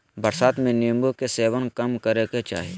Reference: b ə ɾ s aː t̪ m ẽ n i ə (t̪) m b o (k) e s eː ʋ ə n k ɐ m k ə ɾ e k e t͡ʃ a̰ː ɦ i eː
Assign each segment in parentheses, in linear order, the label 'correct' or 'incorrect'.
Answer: incorrect, correct

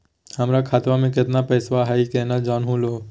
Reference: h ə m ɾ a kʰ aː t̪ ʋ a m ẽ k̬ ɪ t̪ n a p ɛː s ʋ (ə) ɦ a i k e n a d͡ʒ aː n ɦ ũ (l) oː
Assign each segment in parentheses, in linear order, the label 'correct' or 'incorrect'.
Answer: incorrect, correct

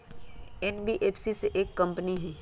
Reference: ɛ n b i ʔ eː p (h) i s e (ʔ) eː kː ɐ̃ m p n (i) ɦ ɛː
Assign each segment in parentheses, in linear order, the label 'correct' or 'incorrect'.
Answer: incorrect, correct, correct

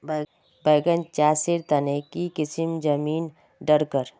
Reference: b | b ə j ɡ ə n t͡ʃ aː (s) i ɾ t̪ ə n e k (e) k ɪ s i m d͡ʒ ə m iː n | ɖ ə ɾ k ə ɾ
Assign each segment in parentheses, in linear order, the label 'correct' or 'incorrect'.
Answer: correct, incorrect

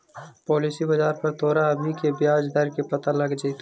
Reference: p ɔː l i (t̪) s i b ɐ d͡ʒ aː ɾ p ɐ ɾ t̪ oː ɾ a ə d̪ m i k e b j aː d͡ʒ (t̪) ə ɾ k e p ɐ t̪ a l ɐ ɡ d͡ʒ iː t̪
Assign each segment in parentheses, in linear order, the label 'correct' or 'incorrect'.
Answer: incorrect, incorrect

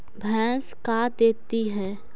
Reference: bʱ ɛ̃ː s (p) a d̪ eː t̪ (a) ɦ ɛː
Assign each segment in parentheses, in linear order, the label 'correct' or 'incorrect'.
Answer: incorrect, incorrect

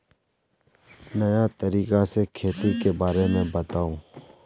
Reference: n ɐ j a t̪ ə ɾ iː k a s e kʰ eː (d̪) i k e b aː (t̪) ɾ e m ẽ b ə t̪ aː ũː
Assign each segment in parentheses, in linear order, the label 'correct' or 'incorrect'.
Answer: incorrect, incorrect

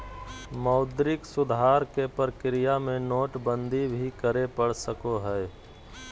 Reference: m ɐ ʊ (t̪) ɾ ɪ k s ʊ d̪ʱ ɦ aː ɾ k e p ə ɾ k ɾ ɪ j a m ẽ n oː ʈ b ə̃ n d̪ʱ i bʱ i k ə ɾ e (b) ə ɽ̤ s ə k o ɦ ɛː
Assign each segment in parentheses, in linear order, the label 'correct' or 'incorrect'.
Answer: incorrect, incorrect

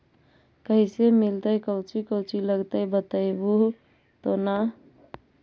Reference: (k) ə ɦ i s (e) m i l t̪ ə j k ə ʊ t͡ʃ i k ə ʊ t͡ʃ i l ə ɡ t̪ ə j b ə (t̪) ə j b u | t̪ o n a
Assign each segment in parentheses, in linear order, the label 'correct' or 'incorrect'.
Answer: correct, correct, correct

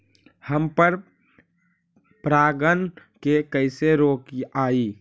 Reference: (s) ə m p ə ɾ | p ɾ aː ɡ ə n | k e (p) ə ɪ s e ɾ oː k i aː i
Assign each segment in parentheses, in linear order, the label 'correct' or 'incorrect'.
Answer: incorrect, incorrect

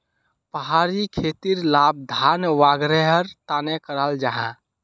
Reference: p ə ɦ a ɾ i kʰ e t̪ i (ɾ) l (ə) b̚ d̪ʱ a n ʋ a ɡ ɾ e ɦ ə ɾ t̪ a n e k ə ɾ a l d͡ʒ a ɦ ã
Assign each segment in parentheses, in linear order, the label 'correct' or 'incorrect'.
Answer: correct, incorrect

